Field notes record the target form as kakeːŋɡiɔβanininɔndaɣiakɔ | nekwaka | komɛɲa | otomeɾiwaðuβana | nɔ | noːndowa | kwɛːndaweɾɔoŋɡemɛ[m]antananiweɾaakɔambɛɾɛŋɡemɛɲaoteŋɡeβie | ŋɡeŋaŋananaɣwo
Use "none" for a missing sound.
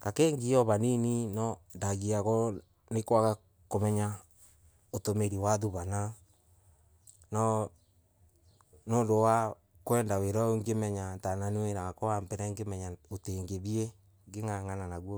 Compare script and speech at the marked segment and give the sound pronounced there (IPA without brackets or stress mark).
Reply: ɲ